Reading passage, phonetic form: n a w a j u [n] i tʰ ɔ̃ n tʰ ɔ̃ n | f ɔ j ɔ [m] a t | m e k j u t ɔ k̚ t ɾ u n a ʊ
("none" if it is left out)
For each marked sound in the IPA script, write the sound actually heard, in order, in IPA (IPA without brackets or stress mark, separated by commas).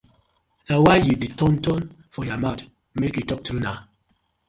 d, m